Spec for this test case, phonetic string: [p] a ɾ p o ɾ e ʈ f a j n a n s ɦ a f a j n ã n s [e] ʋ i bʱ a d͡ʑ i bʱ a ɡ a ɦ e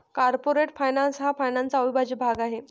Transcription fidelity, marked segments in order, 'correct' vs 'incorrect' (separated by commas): incorrect, incorrect